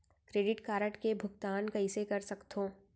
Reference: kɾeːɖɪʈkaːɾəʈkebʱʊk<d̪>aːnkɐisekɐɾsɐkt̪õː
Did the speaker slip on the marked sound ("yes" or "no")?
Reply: yes